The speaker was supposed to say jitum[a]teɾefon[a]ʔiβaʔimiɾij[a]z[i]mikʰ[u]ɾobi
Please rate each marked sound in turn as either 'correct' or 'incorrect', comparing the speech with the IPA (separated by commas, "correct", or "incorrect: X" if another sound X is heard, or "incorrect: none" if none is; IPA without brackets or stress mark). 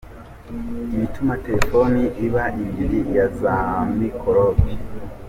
correct, incorrect: i, correct, incorrect: a, incorrect: o